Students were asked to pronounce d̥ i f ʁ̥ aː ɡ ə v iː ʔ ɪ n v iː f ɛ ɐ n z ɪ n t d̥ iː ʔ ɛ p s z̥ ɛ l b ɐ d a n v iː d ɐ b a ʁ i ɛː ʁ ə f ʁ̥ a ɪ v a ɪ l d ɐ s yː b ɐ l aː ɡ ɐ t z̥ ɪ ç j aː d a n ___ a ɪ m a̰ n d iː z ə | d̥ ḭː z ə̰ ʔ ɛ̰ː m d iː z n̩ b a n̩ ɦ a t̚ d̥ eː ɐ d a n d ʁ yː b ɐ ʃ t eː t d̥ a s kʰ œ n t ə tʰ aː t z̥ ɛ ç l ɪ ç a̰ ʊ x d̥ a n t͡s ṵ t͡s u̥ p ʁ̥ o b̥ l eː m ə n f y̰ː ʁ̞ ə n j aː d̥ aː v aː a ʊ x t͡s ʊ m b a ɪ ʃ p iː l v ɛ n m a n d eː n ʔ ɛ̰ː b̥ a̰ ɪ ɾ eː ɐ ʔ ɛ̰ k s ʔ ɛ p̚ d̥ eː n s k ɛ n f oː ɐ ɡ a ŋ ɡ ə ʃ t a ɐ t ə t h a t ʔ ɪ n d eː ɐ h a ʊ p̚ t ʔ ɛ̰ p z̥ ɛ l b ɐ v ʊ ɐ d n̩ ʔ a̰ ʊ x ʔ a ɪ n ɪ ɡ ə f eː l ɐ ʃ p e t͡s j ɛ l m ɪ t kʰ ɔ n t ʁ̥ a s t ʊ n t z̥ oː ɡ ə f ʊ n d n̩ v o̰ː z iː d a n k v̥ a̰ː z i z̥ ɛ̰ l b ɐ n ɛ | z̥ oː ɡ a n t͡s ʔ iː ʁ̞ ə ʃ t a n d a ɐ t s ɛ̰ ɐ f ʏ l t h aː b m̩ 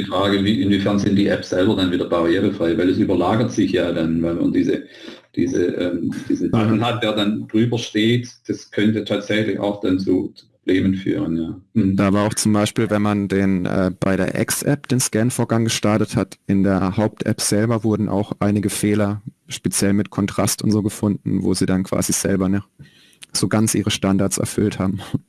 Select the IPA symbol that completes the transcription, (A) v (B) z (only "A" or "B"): A